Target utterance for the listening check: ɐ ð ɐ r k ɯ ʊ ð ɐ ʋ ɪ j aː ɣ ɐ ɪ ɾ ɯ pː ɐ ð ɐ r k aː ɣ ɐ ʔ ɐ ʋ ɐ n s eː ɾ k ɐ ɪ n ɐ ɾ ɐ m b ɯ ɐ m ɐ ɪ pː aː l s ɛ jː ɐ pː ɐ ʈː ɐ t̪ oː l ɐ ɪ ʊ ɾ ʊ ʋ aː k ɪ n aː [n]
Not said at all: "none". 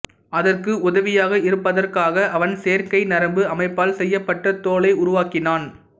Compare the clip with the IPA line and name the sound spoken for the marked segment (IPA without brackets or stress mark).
n